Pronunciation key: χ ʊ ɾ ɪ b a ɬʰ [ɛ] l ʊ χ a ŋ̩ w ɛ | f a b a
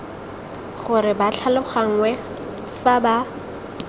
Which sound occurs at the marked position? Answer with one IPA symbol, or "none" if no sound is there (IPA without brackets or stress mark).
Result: a